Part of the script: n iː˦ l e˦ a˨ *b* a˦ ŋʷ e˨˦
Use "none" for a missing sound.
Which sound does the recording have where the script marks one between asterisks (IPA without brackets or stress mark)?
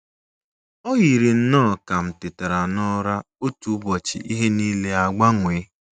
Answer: ɡ͡b